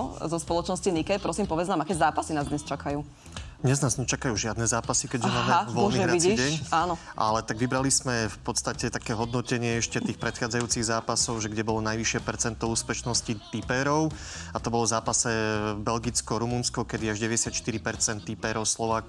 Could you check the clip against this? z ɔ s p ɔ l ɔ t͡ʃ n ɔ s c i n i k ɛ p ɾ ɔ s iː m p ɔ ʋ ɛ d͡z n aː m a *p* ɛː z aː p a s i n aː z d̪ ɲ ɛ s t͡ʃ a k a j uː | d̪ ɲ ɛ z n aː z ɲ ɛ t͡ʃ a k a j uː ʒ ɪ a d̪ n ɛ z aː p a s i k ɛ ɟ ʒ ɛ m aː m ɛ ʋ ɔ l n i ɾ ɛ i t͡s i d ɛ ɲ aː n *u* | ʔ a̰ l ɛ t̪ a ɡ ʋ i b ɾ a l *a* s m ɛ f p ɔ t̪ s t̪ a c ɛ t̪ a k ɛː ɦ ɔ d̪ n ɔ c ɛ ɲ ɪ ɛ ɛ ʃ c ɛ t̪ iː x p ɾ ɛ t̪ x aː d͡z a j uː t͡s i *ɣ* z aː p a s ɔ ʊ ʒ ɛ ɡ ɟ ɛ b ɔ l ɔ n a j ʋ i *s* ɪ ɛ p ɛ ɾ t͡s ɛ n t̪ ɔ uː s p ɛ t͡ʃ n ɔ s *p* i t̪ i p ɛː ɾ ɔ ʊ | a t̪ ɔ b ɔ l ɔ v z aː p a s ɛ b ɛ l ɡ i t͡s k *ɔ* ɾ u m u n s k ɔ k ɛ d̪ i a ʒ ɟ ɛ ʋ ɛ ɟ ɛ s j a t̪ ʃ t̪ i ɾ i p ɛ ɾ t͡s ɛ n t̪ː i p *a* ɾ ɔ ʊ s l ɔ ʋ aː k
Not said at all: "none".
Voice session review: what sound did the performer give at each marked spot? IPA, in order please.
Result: k, ɔ, i, ɣ, ʃ, c, ɔ, ɛ

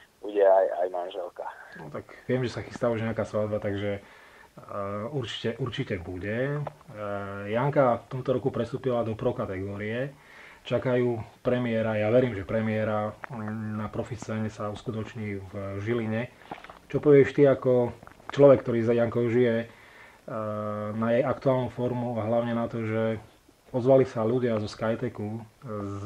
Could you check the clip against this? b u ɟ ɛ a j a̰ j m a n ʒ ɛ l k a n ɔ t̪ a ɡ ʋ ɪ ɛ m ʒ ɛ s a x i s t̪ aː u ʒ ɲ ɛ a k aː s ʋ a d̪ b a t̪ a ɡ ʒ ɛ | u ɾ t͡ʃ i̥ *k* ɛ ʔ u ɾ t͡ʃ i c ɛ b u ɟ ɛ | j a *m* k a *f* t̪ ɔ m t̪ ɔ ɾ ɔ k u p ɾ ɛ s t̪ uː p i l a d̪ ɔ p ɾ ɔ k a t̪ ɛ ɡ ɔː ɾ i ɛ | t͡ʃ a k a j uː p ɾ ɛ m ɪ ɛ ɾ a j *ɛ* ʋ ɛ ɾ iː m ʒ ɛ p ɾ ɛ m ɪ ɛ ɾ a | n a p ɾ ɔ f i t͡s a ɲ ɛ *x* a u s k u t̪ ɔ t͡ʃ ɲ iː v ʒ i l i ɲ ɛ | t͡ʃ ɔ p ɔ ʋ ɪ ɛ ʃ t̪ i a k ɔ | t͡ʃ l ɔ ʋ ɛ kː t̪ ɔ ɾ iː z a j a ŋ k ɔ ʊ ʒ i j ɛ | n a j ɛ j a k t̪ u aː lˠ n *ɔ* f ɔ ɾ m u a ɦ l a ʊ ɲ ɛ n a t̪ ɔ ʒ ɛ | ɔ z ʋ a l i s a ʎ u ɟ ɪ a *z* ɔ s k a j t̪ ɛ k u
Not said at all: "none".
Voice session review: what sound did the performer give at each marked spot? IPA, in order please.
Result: c, ŋ, f, a, s, u, z

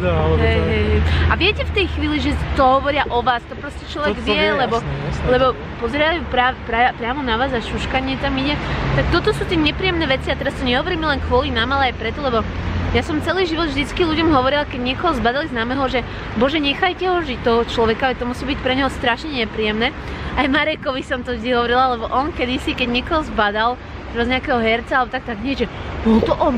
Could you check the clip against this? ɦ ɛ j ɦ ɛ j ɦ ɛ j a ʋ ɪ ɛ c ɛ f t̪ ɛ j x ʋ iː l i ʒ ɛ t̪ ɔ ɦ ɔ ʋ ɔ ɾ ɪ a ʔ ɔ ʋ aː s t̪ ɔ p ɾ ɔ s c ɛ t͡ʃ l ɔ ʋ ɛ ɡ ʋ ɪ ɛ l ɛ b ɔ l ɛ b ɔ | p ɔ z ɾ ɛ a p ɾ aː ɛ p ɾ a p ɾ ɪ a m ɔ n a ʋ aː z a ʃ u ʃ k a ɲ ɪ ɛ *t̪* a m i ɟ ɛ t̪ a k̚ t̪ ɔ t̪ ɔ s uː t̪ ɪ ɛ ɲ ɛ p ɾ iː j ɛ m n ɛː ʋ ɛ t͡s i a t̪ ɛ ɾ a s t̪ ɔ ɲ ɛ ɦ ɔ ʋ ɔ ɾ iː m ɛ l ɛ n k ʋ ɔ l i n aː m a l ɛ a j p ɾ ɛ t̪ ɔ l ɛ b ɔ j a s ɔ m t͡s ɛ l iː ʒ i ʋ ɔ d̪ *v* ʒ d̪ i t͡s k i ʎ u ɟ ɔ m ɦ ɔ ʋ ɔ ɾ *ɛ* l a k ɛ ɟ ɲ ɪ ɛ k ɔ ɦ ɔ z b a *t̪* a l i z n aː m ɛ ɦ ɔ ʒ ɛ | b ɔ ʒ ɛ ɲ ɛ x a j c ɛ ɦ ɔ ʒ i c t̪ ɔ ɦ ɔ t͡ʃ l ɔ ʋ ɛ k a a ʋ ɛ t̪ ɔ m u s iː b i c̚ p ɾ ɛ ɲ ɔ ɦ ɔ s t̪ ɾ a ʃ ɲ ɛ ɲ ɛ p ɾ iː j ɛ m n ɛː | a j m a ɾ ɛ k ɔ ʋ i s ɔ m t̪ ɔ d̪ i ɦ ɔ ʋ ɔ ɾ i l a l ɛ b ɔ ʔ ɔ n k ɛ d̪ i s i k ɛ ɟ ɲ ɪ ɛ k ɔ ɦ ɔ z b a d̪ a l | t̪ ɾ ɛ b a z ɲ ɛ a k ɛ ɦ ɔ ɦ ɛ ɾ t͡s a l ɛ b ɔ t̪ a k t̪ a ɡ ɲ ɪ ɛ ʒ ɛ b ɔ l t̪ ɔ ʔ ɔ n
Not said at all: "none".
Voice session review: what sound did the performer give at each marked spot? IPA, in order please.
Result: t̪, v, i, d̪

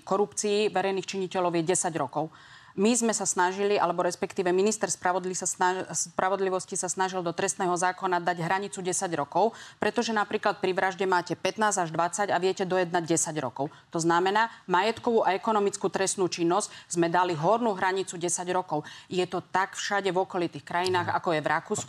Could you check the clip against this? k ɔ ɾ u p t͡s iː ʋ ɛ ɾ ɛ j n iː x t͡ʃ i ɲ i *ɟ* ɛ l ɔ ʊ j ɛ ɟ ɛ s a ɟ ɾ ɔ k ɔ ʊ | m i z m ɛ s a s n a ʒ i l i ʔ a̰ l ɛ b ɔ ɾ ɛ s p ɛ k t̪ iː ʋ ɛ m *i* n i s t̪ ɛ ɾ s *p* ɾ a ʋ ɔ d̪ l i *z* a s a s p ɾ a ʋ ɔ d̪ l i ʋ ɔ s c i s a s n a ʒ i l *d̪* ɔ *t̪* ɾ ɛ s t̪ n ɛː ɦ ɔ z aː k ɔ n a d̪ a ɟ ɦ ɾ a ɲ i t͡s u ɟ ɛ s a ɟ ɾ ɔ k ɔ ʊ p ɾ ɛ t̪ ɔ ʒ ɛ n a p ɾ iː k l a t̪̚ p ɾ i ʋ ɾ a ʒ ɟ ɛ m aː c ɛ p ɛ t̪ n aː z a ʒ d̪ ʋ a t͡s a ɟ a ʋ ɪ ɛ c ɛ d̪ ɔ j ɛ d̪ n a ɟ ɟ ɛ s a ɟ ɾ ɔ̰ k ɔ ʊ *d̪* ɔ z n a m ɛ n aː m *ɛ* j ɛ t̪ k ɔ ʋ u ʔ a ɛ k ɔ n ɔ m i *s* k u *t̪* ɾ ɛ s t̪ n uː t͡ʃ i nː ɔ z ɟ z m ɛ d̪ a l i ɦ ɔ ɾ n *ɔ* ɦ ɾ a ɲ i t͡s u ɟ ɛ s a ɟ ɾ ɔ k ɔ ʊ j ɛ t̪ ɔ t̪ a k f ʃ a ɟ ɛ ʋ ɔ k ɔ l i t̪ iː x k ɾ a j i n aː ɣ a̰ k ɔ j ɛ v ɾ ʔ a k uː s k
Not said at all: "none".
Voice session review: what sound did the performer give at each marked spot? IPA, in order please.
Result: c, i, p, s, d̪, t̪, t̪, a, t͡s, t̪, u

